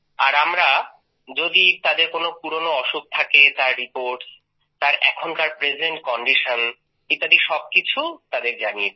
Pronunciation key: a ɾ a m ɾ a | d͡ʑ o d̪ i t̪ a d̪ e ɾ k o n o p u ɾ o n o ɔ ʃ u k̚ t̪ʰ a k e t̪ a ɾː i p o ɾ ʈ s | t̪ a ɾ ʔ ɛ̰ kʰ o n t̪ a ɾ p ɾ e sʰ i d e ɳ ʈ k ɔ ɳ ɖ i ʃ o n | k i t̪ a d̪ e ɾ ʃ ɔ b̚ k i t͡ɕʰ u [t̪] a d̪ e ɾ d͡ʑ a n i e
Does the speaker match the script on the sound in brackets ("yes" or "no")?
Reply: yes